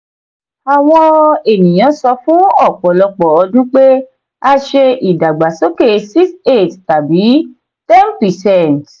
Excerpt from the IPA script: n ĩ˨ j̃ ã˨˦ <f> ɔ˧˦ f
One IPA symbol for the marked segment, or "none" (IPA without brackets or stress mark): s